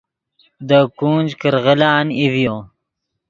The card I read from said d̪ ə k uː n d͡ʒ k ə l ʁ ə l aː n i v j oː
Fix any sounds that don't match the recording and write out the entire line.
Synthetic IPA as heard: d̪ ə k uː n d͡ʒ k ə ɾ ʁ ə l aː n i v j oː